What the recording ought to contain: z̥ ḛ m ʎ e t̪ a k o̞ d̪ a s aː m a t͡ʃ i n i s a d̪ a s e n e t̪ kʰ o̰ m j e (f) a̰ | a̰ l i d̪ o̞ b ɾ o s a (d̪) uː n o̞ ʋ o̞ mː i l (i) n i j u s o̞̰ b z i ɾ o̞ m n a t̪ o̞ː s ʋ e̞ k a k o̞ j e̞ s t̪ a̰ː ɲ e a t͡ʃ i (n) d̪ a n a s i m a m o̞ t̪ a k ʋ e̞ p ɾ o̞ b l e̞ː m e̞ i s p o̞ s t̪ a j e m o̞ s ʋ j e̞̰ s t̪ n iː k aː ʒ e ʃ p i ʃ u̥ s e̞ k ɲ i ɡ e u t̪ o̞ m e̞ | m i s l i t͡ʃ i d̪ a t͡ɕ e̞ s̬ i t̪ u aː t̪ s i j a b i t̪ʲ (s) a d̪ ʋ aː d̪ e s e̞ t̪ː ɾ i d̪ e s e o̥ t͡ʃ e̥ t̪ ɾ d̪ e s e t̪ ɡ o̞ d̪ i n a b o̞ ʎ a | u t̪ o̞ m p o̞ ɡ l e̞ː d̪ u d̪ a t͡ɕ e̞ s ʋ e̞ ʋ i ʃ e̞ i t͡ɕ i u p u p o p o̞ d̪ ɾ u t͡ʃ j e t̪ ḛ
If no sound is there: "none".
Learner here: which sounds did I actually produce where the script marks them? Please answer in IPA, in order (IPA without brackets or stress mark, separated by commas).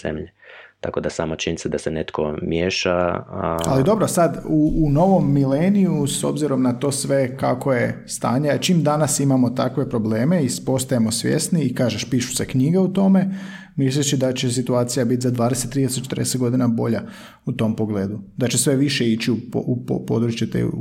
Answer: ʃ, d̪, e, m, z